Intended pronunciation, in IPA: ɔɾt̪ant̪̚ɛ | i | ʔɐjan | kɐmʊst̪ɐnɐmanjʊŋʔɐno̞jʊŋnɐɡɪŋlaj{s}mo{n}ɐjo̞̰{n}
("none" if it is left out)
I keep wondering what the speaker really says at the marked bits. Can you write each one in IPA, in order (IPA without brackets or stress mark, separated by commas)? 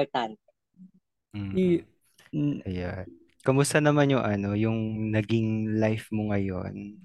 f, ŋ, n